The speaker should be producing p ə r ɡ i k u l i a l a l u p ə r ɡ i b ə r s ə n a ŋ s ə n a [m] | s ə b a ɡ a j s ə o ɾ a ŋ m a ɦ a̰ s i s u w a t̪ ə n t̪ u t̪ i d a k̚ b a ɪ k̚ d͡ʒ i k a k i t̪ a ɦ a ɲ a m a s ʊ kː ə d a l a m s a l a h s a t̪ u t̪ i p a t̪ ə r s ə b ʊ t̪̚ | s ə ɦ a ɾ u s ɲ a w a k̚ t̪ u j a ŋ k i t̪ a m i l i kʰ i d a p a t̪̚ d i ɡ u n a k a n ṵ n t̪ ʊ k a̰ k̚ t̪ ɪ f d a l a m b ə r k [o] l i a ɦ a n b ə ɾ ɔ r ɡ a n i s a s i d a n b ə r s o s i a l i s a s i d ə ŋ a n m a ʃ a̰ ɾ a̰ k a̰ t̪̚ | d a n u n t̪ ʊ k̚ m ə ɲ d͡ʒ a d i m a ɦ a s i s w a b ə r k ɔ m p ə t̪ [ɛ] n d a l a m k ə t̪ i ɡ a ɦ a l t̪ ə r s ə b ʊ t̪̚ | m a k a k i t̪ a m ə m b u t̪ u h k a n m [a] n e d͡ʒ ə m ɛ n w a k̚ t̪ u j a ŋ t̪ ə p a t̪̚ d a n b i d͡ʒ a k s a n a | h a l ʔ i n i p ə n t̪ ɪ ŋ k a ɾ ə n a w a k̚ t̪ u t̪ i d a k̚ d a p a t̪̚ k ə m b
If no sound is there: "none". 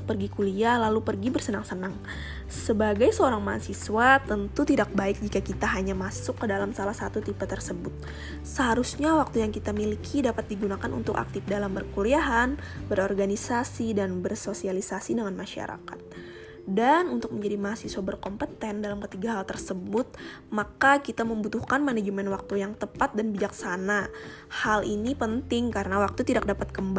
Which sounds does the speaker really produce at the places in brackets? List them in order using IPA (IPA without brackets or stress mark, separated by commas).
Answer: ŋ, u, ɛ, a